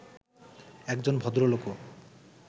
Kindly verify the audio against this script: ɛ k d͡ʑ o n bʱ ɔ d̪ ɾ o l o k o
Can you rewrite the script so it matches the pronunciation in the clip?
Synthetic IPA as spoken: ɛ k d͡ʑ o n bʱ ɔ d̪ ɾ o l o k o